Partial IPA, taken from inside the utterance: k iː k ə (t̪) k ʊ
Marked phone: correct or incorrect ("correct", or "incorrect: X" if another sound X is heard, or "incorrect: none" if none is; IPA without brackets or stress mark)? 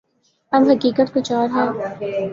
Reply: correct